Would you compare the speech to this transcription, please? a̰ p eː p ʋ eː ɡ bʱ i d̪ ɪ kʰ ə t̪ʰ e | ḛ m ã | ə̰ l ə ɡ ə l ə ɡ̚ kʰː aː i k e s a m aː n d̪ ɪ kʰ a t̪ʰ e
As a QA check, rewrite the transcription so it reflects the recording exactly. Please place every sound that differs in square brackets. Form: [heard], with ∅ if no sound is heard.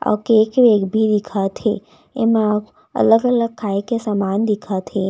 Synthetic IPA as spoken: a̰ [k] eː [k] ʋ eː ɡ bʱ i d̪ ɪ kʰ [a] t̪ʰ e | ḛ m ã | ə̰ l ə ɡ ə l ə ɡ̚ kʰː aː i k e s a m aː n d̪ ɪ kʰ a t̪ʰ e